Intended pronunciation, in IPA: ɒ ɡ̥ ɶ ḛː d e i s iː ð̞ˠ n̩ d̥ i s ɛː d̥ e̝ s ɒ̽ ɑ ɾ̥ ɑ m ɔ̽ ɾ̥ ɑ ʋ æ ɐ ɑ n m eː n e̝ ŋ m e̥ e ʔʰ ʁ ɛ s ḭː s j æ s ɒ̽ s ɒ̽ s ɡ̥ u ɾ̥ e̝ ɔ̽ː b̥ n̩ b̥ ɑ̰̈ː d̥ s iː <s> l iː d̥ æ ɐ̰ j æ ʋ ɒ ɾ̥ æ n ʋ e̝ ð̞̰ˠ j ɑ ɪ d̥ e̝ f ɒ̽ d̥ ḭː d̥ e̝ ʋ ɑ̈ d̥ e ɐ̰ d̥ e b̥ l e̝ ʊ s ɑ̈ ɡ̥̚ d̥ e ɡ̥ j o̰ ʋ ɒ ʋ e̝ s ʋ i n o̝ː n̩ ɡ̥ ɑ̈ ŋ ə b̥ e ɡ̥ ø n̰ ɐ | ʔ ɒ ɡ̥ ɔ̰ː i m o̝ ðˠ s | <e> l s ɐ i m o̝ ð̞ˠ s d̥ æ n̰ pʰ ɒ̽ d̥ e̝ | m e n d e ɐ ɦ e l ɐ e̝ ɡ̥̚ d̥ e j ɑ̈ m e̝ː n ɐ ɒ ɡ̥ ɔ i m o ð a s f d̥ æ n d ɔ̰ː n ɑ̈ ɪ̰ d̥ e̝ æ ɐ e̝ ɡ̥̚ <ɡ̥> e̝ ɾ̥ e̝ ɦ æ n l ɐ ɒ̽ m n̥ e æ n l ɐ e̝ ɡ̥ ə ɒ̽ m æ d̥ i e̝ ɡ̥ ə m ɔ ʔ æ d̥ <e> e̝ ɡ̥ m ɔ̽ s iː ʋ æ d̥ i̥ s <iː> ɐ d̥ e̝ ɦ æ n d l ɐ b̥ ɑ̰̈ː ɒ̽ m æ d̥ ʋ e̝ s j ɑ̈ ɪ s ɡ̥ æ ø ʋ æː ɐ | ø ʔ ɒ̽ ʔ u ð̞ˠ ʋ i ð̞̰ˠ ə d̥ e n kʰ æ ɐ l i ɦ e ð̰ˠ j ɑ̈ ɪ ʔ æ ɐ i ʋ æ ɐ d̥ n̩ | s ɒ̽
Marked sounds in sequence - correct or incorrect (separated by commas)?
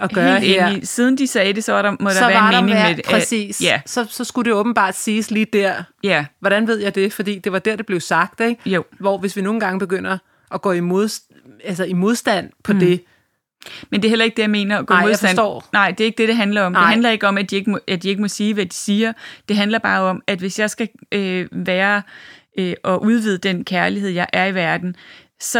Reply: correct, incorrect, incorrect, incorrect, correct